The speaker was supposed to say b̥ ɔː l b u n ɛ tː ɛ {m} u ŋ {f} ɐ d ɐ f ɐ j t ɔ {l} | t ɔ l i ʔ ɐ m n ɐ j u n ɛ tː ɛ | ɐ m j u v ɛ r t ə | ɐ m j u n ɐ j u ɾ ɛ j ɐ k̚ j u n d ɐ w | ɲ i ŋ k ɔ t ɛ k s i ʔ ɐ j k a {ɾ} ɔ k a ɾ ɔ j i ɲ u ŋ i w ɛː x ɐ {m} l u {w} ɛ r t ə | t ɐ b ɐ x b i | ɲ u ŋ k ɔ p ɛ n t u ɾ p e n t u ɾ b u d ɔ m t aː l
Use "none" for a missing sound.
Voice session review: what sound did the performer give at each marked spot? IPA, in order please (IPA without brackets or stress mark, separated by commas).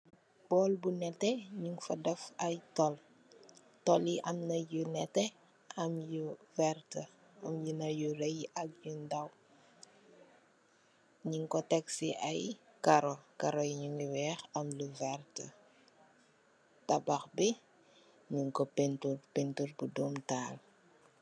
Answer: ɲ, f, l, ɾ, m, v